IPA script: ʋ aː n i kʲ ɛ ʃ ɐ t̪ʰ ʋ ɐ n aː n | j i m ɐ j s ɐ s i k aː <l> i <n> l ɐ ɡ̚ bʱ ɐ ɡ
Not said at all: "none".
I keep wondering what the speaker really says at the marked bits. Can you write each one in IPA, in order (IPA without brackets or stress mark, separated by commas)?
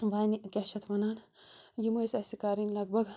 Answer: ɾ, n